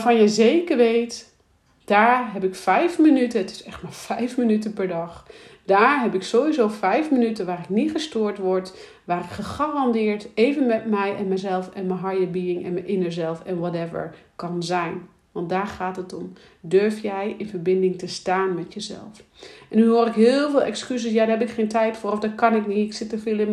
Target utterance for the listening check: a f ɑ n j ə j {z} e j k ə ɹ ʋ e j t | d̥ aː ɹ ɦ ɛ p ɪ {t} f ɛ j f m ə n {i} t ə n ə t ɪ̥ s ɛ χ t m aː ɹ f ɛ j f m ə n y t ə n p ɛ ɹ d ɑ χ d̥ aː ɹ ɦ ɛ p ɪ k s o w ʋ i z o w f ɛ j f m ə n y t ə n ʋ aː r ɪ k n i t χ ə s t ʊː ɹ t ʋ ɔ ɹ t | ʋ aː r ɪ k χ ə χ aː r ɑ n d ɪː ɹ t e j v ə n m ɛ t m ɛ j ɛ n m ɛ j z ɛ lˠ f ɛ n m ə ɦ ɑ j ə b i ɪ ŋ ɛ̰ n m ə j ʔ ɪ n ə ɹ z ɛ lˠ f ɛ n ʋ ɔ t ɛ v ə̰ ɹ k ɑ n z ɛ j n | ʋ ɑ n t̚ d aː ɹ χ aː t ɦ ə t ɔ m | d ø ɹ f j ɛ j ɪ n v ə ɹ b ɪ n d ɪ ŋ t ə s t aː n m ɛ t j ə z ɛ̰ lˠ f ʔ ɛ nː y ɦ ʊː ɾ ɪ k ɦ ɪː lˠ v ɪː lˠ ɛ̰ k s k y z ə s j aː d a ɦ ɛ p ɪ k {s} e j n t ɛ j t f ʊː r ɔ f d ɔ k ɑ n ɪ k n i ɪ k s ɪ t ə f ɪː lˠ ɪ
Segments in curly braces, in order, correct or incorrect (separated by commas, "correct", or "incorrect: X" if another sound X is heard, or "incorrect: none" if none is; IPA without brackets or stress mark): correct, incorrect: k, incorrect: y, incorrect: χ